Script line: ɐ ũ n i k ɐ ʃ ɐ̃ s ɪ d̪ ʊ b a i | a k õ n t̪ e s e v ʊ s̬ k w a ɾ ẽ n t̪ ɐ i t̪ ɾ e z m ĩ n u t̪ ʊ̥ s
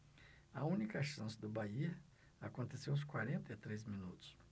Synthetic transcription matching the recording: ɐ ũ n i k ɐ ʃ ɐ̃ s ɪ d̪ ʊ b a i | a k õ n t̪ e s e w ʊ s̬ k w a ɾ ẽ n t̪ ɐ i t̪ ɾ e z m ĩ n u t̪ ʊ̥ s